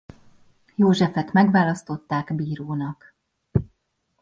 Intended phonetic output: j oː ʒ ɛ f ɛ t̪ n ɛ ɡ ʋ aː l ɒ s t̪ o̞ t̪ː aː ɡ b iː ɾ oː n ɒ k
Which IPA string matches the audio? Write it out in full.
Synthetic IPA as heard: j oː ʒ ɛ f ɛ t̪ m ɛ ɡ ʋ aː l ɒ s t̪ o̞ t̪ː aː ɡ b iː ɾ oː n ɒ k

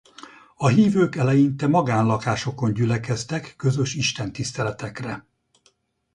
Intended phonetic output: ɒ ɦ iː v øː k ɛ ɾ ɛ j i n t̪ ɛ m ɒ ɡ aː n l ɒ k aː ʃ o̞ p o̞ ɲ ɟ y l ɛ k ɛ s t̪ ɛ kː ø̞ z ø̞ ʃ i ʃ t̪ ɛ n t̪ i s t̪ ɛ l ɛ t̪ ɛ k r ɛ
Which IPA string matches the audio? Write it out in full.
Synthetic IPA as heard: ɒ ɦ iː v øː k ɛ l ɛ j i n t̪ ɛ m ɒ ɡ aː n l ɒ k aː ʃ o̞ k o̞ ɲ ɟ y l ɛ k ɛ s t̪ ɛ kː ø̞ z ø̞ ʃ i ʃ t̪ ɛ n t̪ i s t̪ ɛ l ɛ t̪ ɛ k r ɛ

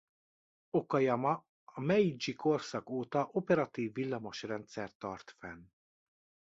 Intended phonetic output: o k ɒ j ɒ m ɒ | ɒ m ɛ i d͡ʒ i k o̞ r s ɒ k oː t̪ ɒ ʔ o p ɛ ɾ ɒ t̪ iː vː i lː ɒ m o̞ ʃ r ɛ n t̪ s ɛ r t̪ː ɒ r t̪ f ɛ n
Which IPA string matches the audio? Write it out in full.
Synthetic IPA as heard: o k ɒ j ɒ m ɒ | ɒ m ɛ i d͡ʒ i k o̞ r s ɒ k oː t̪ ɒ ʔ o p ɛ ɾ ɒ t̪ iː vː i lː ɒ m o̞ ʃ r ɛ n t̪ s ɛ r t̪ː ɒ r t̪ f ɛ n

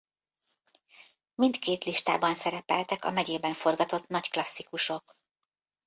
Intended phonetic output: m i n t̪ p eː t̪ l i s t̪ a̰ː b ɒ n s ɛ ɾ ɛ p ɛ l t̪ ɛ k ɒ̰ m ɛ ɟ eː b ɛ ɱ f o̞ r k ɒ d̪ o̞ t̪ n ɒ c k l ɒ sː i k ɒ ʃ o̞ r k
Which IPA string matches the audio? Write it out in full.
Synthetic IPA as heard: m i n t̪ k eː t̪ l i ʃ t̪ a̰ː b ɒ n s ɛ ɾ ɛ p ɛ l t̪ ɛ k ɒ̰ m ɛ ɟ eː b ɛ ɱ f o̞ r ɡ ɒ t̪ o̞ t̪ n ɒ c k l ɒ sː i k u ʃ o̞ k

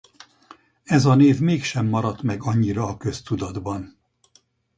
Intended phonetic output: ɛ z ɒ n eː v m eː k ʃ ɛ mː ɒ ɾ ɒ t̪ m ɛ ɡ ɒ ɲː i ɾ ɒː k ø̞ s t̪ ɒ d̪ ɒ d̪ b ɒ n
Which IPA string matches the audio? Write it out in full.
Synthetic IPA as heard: ɛ z ɒ n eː v m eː k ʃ ɛ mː ɒ ɾ ɒ t̪ m ɛ ɡ ɒ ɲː i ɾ ɒː k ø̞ s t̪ u d̪ ɒ d̪ b ɒ n

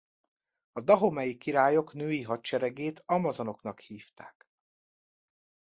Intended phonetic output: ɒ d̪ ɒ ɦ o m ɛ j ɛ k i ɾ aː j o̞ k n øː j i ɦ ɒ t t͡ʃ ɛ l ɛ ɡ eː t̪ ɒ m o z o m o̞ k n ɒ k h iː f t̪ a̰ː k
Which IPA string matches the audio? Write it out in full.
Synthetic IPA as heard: ɒ d̪ ɒ ɦ o m ɛ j i k i ɾ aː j o̞ k n øː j i ɦ ɒ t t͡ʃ ɛ ɾ ɛ ɡ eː t̪ ɒ m ɒ z o n o̞ k n ɒ k h iː f t̪ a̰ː k

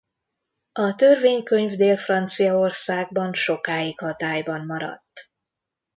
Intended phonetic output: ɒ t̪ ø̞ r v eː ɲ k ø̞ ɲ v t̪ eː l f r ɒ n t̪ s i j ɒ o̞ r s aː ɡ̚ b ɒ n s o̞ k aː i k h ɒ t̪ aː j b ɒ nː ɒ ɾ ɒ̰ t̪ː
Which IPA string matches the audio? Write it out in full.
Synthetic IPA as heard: ɒ t̪ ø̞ r v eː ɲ k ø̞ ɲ v d̪ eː l f r ɒ n t̪ s i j ɒ o̞ r s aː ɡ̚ b ɒ n ʃ o̞ k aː i k h ɒ t̪ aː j b ɒ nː ɒ ɾ ɒ̰ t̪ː

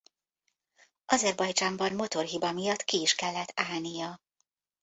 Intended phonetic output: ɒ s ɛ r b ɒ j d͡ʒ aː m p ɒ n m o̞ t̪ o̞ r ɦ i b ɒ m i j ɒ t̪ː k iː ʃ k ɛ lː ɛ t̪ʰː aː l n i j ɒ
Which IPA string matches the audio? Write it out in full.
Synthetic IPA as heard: ɒ z ɛ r b ɒ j d͡ʒ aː m b ɒ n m o̞ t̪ o̞ r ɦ i b ɒ m i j ɒ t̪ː k iː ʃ k ɛ lː ɛ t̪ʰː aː l n i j ɒ

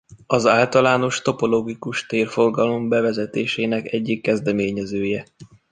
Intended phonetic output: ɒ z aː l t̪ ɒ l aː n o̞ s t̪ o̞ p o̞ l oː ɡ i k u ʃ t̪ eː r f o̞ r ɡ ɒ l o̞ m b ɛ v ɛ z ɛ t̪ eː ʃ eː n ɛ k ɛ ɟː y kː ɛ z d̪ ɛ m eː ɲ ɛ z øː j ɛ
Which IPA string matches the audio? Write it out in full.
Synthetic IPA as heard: ɒ z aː l t̪ ɒ l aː n o̞ ʃ t̪ o̞ p o̞ l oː ɡ i k u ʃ t̪ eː r f o̞ r ɡ ɒ l o̞ m b ɛ v ɛ z ɛ t̪ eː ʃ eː n ɛ k ɛ ɟː i kː ɛ z d̪ ɛ m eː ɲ ɛ z øː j ɛ

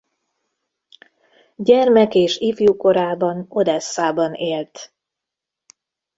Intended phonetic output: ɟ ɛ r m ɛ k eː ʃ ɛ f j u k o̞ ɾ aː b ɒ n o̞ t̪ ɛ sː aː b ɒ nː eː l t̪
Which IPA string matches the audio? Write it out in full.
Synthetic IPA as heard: ɟ ɛ r m ɛ k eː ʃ i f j u k o̞ ɾ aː b ɒ n o̞ d̪ ɛ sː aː b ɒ n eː l t̪

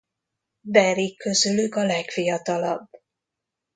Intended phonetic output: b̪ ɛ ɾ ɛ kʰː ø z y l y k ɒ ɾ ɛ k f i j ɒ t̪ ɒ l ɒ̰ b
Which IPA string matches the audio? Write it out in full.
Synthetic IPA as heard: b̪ ɛ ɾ i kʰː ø z y l y k ɒ l ɛ k f i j ɒ t̪ ɒ l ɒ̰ b

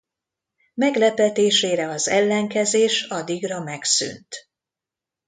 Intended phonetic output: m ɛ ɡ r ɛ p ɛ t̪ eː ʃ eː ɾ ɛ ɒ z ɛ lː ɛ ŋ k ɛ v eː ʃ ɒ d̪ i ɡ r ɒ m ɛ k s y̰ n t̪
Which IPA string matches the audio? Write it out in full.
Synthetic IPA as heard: m ɛ ɡ l ɛ p ɛ t̪ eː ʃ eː ɾ ɛ ɒ z ɛ lː ɛ ŋ k ɛ z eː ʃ ɒ d̪ i ɡ r ɒ m ɛ k s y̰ n t̪

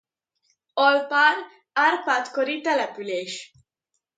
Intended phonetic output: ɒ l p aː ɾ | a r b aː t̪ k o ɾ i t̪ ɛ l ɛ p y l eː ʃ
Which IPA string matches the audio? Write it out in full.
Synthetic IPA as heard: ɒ l p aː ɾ | a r p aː t̪ k o ɾ i t̪ ɛ l ɛ p y l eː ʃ

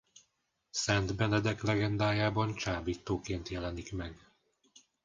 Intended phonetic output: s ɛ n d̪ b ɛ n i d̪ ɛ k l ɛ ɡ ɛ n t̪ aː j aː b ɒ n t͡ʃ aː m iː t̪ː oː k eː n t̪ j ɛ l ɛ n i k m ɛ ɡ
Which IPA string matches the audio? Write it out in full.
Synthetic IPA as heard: s ɛ n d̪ b ɛ n ɛ d̪ ɛ k l ɛ ɡ ɛ n d̪ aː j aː b ɒ n t͡ʃ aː b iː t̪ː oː k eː n t̪ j ɛ l ɛ n i k m ɛ ɡ

